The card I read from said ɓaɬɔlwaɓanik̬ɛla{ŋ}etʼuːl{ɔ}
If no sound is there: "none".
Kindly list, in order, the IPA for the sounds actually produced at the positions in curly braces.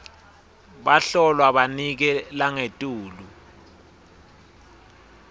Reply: ŋ, u

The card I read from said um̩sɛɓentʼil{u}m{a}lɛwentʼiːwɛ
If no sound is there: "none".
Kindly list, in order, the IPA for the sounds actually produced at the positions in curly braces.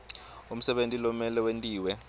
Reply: ɔ, ɛ

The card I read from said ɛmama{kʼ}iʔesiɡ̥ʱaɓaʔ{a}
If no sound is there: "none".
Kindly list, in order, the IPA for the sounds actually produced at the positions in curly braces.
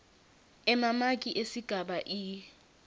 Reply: kʼ, i

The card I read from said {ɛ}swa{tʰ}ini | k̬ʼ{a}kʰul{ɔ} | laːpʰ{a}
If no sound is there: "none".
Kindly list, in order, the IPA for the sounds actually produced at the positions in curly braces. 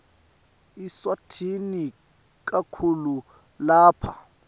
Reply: i, tʰ, a, u, a

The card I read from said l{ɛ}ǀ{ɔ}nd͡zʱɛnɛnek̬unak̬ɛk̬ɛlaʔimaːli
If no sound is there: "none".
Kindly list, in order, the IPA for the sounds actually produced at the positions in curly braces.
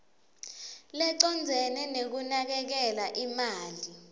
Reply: ɛ, ɔ

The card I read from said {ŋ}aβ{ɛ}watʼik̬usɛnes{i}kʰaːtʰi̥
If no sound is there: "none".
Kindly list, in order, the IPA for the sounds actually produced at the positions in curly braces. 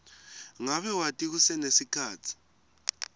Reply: ŋ, ɛ, i

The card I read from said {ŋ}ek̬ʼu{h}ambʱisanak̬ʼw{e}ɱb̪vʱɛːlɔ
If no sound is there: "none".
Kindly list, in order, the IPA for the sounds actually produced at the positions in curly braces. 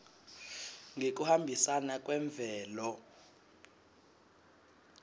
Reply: ŋ, h, ɛ

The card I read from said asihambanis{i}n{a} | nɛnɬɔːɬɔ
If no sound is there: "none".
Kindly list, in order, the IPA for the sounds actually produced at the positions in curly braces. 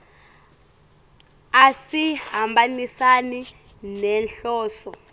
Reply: a, i

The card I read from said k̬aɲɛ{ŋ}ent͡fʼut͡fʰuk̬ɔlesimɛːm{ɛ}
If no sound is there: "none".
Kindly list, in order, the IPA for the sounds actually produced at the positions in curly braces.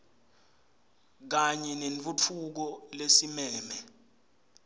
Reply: n, ɛ

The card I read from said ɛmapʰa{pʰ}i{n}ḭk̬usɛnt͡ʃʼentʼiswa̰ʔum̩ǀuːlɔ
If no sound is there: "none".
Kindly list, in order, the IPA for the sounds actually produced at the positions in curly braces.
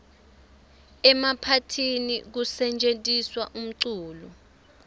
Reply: tʰ, n

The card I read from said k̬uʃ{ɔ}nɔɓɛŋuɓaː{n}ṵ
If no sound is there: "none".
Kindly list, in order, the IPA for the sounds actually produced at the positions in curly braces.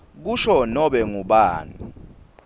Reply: ɔ, n

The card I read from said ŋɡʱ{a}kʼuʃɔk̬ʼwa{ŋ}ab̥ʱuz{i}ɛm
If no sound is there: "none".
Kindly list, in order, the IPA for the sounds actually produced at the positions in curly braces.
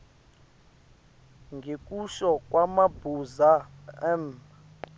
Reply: e, m, a

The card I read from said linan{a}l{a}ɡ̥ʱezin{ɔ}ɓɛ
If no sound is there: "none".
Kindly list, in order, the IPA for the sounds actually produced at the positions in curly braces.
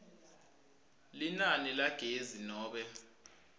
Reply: i, a, ɔː

